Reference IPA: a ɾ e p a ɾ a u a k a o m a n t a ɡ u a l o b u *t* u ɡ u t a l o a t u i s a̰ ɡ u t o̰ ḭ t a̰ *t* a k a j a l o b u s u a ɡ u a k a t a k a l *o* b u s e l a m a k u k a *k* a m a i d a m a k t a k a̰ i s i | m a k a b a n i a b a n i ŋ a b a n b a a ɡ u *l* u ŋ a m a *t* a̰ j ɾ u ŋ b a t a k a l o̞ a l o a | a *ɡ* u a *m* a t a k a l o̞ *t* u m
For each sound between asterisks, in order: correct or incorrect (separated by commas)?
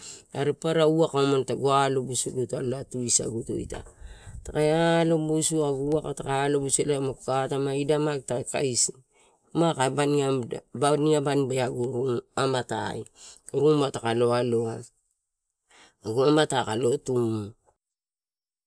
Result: incorrect, correct, correct, incorrect, incorrect, correct, correct, correct, correct